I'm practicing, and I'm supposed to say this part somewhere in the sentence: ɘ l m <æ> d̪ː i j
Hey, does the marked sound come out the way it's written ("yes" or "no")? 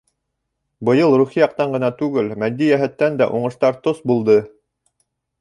yes